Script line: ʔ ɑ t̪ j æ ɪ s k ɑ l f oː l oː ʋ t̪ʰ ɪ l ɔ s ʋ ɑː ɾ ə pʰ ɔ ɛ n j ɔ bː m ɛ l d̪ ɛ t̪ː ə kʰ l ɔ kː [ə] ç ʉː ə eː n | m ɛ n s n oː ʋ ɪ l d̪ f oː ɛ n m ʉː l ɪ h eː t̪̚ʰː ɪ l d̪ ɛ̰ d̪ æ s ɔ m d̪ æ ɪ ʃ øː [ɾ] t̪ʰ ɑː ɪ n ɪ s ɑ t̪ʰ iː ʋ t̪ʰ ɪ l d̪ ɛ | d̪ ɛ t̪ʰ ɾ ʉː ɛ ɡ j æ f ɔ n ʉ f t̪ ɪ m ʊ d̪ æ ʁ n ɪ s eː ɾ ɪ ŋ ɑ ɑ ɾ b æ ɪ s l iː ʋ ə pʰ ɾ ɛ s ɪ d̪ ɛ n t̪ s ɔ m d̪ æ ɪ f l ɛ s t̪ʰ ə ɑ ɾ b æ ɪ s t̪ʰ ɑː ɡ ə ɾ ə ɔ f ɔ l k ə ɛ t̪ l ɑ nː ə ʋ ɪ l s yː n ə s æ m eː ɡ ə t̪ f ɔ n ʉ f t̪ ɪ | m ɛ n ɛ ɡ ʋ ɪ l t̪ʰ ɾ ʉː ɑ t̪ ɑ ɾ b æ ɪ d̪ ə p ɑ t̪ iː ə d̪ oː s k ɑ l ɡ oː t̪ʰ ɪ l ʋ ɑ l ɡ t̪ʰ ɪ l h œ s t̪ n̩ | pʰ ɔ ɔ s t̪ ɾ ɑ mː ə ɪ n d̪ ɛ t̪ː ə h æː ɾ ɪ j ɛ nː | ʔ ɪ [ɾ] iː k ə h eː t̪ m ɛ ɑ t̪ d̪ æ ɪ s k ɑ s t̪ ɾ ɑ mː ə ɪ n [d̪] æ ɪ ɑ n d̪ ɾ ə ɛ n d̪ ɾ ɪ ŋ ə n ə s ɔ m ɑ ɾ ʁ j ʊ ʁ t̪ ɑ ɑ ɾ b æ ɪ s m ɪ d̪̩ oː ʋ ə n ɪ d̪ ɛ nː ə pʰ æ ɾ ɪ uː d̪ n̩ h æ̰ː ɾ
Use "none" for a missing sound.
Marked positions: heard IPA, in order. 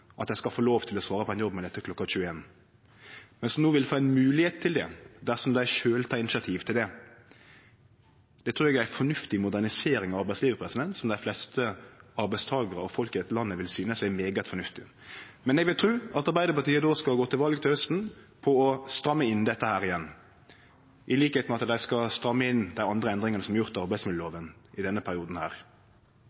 ɑ, l, l, d̪

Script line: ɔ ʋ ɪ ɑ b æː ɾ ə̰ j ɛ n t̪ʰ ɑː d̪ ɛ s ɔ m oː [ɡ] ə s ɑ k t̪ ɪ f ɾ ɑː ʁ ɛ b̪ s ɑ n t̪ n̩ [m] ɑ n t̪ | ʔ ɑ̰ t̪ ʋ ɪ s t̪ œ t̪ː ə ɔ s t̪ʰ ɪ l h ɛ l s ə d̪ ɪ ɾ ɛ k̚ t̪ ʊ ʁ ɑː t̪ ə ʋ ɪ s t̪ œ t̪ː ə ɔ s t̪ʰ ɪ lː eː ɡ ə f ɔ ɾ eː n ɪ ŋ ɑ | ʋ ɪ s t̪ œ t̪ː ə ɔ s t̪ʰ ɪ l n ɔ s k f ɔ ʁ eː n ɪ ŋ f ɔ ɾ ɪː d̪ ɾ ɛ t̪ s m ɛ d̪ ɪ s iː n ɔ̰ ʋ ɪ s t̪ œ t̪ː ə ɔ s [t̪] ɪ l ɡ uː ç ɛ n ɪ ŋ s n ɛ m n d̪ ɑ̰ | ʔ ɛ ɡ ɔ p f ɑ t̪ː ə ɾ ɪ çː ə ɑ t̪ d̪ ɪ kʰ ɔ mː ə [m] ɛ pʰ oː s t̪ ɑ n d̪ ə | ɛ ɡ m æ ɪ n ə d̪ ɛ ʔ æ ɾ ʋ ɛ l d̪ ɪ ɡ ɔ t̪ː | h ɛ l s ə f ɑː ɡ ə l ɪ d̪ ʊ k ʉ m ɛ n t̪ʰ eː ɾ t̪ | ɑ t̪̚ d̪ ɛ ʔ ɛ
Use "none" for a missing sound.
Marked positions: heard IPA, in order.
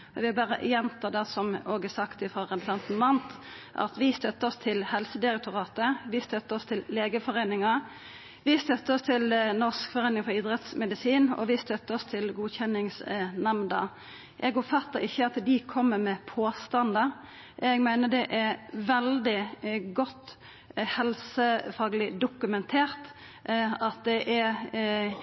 ɡ, m, t̪ʰ, m

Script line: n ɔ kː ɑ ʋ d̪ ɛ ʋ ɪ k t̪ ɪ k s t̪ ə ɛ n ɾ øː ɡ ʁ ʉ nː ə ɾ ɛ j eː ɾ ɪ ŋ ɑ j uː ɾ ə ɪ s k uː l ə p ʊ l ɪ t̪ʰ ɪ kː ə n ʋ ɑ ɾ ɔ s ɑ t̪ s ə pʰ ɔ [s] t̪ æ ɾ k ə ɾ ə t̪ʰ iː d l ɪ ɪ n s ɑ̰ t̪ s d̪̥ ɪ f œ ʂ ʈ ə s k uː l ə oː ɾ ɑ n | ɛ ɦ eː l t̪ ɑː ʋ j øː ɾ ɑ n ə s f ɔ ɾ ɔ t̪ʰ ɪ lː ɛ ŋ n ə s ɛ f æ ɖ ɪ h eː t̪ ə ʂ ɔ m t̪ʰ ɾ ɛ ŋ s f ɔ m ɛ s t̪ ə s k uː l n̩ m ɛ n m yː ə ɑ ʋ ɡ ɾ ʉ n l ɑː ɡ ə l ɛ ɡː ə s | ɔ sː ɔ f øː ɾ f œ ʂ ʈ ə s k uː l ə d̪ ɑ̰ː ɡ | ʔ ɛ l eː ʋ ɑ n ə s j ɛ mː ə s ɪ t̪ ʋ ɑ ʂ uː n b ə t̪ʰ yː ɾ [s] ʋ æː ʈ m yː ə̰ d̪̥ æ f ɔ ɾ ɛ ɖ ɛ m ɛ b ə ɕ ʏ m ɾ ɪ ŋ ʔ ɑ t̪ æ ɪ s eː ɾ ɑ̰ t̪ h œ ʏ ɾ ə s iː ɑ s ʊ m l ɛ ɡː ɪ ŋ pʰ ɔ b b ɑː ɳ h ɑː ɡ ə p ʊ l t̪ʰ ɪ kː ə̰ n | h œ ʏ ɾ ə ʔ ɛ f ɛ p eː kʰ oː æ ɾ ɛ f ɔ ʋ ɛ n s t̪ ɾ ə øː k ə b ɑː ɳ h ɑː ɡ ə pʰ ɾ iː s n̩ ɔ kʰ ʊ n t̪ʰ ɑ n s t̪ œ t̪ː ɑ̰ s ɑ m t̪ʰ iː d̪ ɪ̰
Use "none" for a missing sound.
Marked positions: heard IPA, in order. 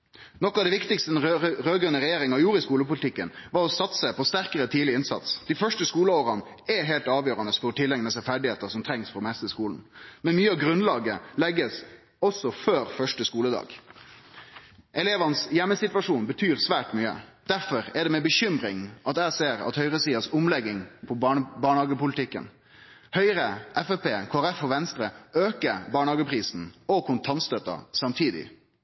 s, s

